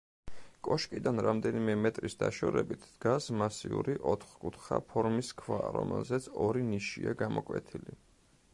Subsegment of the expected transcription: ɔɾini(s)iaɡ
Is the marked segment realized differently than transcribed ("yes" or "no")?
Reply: yes